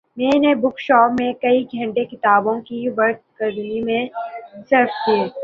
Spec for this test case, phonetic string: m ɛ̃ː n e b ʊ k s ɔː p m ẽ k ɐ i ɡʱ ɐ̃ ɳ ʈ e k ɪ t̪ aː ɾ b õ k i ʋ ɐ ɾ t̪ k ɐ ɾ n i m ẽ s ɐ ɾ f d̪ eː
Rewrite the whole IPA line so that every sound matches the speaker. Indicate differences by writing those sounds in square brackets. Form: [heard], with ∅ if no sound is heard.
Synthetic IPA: m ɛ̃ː n e b ʊ k [ʃ] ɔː p m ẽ k ɐ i ɡʱ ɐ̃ ɳ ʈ e k ɪ t̪ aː [∅] b õ k i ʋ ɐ ɾ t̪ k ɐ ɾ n i m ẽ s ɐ ɾ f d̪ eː